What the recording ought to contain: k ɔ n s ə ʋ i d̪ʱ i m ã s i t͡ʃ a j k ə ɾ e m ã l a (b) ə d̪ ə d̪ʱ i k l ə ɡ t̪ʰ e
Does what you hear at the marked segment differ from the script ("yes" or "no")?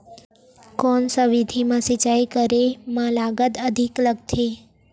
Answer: yes